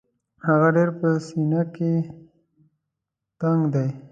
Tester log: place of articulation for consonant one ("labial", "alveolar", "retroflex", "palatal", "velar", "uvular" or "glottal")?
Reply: glottal